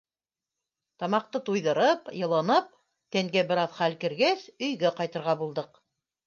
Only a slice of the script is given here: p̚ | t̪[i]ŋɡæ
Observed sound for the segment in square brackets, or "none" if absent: æ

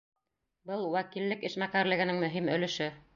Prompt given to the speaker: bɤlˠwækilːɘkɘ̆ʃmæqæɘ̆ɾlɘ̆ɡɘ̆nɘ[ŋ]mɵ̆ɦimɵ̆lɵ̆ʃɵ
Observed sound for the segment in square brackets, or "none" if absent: ŋ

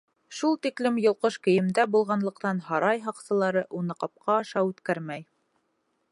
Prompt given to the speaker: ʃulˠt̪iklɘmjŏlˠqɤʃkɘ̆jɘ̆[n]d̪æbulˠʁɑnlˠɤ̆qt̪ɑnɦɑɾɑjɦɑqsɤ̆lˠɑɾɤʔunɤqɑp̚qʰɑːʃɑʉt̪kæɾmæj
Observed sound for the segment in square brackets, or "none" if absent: m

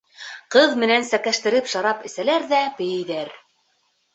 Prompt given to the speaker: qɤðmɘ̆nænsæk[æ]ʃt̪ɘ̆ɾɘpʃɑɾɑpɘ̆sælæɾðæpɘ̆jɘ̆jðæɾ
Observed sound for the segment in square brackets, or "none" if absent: æ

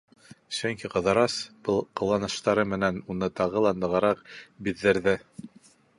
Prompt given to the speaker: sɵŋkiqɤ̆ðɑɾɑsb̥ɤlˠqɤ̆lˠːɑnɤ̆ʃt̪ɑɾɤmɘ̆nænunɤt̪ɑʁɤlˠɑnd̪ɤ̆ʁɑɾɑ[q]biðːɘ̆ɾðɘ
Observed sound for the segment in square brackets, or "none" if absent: q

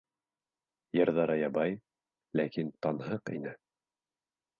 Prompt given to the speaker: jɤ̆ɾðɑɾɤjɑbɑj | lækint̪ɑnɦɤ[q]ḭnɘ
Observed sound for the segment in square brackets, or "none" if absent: q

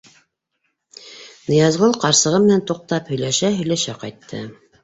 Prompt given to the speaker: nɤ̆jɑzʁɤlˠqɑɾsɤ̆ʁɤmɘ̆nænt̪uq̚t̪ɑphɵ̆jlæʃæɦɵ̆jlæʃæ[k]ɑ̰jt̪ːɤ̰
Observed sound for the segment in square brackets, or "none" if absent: q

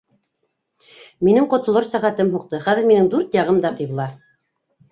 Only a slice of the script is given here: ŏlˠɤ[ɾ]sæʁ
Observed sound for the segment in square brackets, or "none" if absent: ɾ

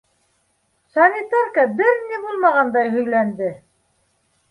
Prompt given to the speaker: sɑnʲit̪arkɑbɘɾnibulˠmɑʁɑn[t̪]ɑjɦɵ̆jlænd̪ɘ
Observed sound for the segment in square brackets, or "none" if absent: d̪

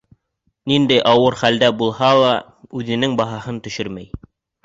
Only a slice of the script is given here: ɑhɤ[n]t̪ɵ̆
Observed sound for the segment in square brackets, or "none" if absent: n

